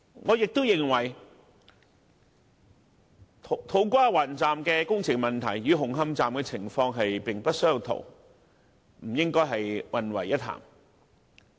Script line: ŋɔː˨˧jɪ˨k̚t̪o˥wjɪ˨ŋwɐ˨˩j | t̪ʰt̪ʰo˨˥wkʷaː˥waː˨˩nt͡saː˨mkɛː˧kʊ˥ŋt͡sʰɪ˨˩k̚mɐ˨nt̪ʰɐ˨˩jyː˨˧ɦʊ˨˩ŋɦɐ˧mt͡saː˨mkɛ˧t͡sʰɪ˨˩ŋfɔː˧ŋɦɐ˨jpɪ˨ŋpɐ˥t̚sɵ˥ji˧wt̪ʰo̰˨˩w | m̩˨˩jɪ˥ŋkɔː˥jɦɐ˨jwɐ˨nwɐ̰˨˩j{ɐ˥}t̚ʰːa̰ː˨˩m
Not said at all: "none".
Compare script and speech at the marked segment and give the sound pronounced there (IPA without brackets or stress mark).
ɐ˥